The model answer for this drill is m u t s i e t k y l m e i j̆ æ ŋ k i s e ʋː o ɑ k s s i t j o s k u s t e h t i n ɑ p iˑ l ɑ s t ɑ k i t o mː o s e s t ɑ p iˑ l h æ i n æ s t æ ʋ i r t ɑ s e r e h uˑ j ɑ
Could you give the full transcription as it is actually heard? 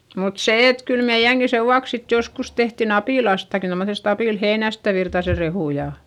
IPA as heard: m u t s e e t k y l m e i j̆ æ ŋ k i s e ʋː u ɑ k s s i t j o s k u s t e h t i n ɑ p iˑ l ɑ s t ɑ k i t o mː o s e s t ɑ p iˑ l h e i n æ s t æ ʋ i r t ɑ s e r e h uˑ j ɑ